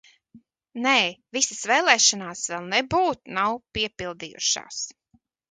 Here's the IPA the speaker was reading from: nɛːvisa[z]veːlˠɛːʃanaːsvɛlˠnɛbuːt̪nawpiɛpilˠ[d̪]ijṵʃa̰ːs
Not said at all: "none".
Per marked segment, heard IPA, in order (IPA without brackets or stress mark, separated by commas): s, d̪